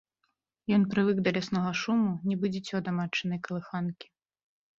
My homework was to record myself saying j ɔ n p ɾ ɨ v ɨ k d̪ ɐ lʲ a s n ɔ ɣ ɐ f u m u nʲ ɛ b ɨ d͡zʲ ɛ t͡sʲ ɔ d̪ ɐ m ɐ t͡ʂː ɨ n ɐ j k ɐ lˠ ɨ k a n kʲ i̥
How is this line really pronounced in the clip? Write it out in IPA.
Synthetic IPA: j ɔ n p ɾ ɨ v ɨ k d̪ ɐ lʲ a s n ɔ ɣ ɐ ʂ u m u nʲ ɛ b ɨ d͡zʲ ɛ t͡sʲ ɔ d̪ ɐ m a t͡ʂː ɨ n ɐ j k ɐ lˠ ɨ x a n kʲ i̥